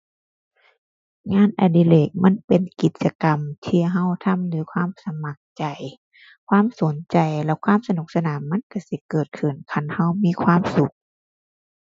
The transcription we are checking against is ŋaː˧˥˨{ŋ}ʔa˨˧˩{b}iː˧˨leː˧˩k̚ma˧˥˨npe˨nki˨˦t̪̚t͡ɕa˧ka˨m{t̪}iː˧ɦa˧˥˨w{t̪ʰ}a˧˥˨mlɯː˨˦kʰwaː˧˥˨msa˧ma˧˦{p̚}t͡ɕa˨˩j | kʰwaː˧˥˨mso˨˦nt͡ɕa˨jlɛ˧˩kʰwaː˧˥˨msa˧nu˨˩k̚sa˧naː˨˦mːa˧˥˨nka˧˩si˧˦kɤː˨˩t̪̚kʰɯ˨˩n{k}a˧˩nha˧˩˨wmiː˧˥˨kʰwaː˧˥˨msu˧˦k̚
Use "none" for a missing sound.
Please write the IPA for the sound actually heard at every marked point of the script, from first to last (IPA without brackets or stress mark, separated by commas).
n, d, t̪ʰ, t̪ʰ, k̚, kʰ